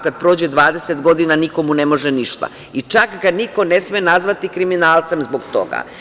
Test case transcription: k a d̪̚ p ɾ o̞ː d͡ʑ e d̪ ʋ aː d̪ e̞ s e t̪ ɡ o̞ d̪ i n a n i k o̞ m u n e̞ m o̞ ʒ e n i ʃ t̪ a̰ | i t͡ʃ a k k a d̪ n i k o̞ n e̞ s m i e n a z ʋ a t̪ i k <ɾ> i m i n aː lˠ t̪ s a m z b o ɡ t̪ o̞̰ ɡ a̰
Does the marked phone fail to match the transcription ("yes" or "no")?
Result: no